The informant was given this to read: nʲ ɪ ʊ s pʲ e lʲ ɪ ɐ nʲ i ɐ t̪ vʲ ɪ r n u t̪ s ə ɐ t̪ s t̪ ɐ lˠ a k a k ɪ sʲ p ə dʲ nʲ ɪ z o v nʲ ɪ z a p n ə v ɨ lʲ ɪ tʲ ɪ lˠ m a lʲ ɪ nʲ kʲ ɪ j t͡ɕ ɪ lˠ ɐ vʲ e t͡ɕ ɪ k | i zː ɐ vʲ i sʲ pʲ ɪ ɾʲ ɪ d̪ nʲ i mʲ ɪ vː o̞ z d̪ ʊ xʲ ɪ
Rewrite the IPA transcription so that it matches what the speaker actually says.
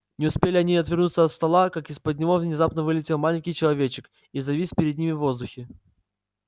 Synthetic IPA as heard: nʲ ɪ ʊ s pʲ e lʲ ɪ ɐ nʲ i ɐ t̪ vʲ ɪ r n u t̪ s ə ɐ t̪ s t̪ ɐ lˠ a k a k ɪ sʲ p ə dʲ nʲ ɪ v o v nʲ ɪ z a p n ə v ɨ lʲ ɪ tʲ ɪ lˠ m a lʲ ɪ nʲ kʲ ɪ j t͡ɕ ɪ lˠ ɐ vʲ e t͡ɕ ɪ k | i z ɐ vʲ i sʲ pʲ ɪ ɾʲ ɪ d̪ nʲ i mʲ ɪ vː o̞ z d̪ ʊ xʲ ɪ